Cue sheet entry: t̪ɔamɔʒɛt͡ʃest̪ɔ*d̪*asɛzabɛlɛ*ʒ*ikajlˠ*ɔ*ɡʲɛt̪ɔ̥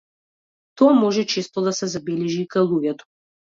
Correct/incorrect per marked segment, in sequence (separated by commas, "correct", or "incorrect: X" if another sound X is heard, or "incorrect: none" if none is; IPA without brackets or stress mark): correct, correct, incorrect: u